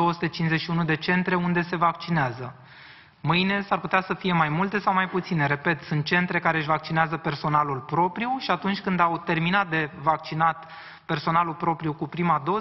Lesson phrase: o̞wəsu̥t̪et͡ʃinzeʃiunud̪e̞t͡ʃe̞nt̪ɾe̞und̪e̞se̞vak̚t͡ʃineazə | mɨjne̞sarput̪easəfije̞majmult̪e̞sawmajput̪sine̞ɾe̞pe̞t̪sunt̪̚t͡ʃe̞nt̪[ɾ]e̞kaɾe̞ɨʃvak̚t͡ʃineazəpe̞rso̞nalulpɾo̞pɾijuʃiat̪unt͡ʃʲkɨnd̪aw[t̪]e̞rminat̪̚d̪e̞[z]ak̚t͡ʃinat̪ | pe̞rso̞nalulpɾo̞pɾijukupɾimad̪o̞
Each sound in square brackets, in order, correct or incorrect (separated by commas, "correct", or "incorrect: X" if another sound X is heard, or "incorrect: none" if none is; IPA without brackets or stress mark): correct, correct, incorrect: v